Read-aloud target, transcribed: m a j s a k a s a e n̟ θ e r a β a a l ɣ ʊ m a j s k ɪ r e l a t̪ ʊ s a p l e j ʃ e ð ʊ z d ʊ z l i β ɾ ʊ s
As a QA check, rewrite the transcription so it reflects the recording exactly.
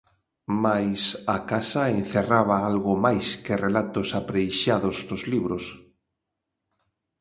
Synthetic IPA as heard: m a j s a k a s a e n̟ θ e r a β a a l ɣ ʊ m a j s k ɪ r e l a t̪ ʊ s a p ɾ e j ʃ a ð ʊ z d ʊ z l i β ɾ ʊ s